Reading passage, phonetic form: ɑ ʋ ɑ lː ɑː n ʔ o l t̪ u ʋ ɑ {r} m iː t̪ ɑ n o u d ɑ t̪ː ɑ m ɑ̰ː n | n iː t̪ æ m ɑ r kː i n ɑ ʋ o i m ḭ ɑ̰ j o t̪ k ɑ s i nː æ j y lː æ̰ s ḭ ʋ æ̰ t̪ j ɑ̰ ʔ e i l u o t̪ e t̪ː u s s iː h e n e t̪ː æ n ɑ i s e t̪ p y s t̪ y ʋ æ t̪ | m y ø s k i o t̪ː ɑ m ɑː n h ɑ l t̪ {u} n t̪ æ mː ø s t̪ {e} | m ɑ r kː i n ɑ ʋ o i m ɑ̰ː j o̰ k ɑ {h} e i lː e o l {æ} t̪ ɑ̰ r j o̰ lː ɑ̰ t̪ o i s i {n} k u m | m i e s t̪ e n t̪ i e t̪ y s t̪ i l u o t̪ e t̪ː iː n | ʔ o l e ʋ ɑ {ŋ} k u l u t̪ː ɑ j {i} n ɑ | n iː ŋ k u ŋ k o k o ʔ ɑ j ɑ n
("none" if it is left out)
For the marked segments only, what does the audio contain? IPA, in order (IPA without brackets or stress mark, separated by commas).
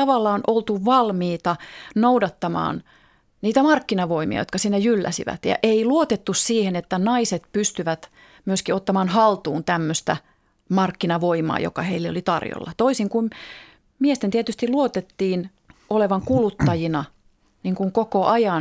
l, uː, æ, h, i, ŋ, ŋ, i